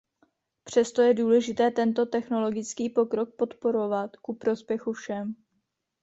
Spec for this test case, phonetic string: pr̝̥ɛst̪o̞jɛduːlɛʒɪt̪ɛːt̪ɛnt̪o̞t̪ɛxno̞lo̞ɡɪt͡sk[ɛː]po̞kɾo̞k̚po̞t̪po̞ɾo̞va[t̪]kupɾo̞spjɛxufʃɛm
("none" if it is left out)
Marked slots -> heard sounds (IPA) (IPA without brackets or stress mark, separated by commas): iː, t̪